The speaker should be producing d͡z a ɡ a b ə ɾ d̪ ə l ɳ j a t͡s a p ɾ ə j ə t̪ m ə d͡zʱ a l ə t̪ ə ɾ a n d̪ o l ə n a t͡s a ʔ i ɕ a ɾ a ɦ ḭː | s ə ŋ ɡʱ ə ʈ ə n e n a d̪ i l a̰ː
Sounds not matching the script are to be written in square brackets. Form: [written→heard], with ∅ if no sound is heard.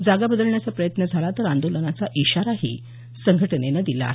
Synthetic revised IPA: d͡z a ɡ a b ə [ɾ→∅] d̪ ə l ɳ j a t͡s a p ɾ ə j ə t̪ [m→n] ə d͡zʱ a l [ə→a] t̪ ə ɾ a n d̪ o l ə n a t͡s a ʔ i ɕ a ɾ a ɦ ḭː | s ə ŋ ɡʱ ə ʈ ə n e n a d̪ i l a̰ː